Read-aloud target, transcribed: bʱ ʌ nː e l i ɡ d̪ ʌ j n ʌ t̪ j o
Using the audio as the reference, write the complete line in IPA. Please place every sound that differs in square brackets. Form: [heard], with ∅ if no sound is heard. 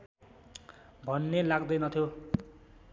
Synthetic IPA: bʱ ʌ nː e l [a] ɡ d̪ ʌ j n ʌ [t̪ʰ] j o